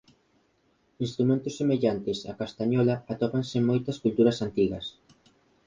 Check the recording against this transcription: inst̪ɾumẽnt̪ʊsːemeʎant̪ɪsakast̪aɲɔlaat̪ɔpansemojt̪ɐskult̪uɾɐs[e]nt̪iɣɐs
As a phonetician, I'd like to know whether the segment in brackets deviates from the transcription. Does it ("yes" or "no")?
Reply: yes